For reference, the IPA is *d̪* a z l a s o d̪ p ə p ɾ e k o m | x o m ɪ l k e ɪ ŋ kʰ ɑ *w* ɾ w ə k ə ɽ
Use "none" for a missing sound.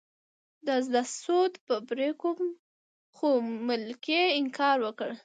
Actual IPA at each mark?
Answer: d̪, none

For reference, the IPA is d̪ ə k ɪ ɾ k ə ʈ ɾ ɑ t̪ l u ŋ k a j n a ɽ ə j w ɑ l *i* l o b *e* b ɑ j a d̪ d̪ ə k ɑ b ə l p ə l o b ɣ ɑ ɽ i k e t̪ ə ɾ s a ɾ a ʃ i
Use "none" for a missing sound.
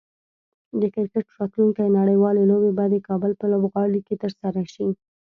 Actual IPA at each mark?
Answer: e, e

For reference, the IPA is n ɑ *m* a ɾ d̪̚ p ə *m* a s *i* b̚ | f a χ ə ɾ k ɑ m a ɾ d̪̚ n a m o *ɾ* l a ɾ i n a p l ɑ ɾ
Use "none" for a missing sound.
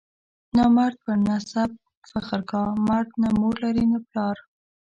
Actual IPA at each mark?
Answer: m, n, a, ɾ

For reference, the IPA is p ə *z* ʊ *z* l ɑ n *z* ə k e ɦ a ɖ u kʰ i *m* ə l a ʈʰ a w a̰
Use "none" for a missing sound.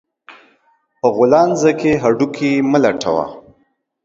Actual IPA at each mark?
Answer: ɣ, none, z, m

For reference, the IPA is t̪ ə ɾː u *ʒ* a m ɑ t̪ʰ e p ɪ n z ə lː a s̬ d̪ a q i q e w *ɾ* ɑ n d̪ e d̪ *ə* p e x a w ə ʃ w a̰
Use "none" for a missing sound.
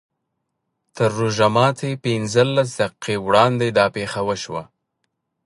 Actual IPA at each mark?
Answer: ʒ, ɽ, ɑ

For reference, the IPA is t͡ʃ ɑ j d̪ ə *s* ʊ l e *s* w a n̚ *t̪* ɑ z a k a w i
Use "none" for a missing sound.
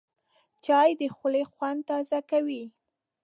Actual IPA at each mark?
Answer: x, x, t̪

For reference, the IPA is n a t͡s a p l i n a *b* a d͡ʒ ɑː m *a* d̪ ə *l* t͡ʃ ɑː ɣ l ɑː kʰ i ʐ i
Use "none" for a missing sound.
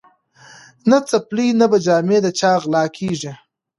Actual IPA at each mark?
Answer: b, e, none

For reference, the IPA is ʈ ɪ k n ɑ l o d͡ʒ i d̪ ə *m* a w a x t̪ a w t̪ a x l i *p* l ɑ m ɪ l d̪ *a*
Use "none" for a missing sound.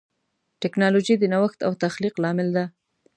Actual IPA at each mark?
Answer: n, q, a

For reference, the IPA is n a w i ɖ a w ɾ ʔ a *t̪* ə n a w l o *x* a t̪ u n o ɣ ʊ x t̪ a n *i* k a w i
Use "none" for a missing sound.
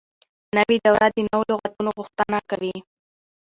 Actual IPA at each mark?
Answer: d̪, ɣ, a

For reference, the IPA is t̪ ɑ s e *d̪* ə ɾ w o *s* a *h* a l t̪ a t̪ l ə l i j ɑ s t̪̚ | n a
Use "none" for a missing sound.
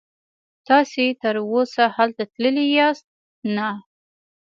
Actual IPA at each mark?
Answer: t̪, s, h

